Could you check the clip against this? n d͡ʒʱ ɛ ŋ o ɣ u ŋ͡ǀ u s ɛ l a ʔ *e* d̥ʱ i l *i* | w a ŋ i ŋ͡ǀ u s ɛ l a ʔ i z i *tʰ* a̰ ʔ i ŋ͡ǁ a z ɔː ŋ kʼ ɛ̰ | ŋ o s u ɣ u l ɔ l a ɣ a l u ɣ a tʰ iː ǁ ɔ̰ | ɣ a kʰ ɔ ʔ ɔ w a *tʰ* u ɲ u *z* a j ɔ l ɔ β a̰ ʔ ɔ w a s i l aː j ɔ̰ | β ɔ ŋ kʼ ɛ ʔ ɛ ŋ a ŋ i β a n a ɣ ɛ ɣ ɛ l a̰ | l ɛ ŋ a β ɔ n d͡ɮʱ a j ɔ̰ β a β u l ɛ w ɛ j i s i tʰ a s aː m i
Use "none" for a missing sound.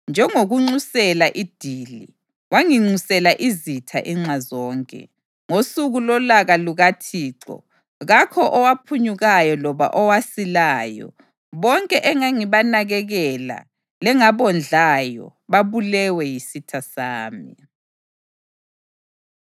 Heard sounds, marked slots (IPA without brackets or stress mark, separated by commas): i, i, tʰ, pʰ, ɣ